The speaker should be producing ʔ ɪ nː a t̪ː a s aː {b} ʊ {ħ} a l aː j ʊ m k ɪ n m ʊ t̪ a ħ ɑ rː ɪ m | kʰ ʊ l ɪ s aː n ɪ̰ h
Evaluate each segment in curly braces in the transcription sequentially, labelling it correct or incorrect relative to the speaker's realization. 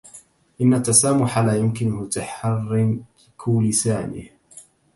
incorrect, correct

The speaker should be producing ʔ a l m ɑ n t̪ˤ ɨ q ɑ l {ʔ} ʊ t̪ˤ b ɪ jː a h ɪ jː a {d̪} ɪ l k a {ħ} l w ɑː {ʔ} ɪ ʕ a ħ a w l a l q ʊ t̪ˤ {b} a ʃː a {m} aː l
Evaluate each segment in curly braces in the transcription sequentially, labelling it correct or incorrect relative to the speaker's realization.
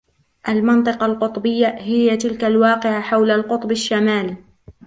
incorrect, incorrect, incorrect, incorrect, correct, correct

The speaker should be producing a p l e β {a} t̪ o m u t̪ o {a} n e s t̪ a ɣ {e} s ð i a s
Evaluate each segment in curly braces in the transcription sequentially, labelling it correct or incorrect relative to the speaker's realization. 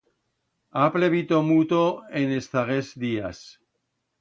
incorrect, incorrect, correct

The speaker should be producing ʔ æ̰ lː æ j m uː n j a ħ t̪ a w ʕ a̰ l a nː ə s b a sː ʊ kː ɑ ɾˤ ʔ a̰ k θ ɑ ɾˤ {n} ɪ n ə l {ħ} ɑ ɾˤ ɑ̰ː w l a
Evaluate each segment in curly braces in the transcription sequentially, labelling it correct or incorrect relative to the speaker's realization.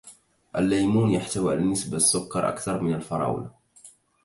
incorrect, incorrect

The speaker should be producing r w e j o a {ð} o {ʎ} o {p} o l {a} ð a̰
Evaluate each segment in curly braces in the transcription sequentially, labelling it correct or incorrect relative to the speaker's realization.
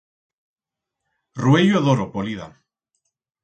correct, incorrect, correct, incorrect

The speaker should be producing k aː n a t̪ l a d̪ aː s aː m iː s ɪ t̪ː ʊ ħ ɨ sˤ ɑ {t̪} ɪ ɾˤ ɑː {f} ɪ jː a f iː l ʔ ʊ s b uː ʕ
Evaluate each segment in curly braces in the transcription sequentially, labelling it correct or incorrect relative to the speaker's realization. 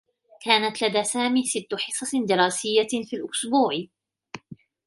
incorrect, incorrect

